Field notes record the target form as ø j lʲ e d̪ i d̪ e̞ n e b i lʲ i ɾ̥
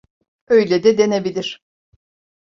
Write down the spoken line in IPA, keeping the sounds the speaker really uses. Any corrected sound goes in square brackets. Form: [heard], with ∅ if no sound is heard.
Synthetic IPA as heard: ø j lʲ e d̪ [ɛ] d̪ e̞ n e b i lʲ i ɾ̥